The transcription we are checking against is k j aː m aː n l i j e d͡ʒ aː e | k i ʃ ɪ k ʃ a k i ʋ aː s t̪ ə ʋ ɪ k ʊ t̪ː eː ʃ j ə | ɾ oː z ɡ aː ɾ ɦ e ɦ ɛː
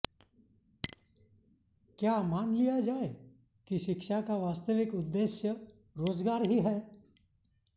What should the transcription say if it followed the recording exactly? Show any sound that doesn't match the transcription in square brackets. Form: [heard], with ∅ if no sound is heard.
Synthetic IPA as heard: k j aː m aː n l i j [a] d͡ʒ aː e | k i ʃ ɪ k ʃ a k [a] ʋ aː s t̪ ə ʋ ɪ k ʊ [d̪ː] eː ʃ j ə | ɾ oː z ɡ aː ɾ ɦ [i] ɦ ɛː